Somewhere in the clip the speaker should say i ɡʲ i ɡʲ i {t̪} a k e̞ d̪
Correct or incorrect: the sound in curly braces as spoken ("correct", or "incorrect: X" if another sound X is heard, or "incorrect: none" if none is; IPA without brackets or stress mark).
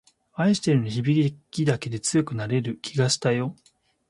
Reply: incorrect: d̪